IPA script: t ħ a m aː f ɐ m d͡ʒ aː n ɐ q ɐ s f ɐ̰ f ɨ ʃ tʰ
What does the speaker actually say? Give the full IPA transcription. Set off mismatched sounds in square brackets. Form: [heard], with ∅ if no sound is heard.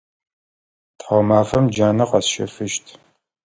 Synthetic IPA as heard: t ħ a m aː f ɐ m d͡ʒ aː n ɐ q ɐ s [ʃ] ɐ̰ f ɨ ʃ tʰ

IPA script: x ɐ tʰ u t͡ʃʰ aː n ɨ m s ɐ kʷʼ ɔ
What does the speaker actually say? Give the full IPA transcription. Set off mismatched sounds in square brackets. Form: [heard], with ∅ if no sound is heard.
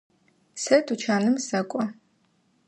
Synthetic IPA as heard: [s] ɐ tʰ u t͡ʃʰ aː n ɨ m s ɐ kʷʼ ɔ

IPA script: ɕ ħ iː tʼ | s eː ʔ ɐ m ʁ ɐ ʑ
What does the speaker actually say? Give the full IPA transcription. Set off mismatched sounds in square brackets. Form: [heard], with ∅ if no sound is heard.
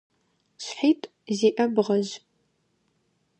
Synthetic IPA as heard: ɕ ħ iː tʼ | [z] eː ʔ ɐ [b] ʁ ɐ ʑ

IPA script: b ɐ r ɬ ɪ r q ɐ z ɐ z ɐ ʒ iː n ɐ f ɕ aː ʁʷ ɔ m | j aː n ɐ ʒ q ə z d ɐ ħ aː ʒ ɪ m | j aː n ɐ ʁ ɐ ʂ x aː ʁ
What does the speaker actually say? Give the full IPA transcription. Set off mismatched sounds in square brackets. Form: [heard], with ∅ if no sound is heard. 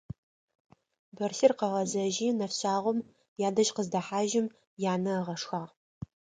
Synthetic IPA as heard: b ɐ r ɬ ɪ r q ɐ [ʁ] ɐ z ɐ ʒ iː n ɐ f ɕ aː ʁʷ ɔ m | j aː [d] ɐ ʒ q ə z d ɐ ħ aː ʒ ɪ m | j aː n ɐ ʁ ɐ ʂ x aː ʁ

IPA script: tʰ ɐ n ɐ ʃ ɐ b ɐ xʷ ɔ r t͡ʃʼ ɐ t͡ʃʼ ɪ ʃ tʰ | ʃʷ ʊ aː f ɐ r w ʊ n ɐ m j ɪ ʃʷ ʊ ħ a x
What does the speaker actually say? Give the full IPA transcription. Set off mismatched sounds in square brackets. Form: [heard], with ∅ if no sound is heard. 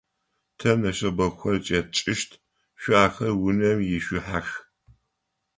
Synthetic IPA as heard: tʰ ɐ n ɐ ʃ ɐ b ɐ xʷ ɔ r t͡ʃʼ ɐ t͡ʃʼ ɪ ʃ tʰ | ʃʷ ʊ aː [x] ɐ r w ʊ n ɐ m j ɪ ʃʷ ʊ ħ a x

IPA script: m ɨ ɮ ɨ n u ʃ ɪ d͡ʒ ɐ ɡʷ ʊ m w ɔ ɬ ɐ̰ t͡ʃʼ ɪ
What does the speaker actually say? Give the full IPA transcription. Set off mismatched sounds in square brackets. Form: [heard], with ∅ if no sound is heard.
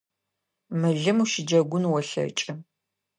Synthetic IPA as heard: m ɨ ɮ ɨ [m] u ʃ ɪ d͡ʒ ɐ ɡʷ ʊ [n] w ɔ ɬ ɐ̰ t͡ʃʼ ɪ

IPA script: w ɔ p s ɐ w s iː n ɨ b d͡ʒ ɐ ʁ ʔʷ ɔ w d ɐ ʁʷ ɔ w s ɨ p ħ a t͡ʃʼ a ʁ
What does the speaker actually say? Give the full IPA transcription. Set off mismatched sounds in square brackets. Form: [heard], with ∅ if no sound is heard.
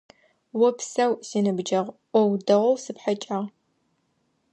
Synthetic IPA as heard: w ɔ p s ɐ w s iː n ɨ b d͡ʒ ɐ ʁ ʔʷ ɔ w d ɐ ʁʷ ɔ w s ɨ p ħ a t͡ʃʼ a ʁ

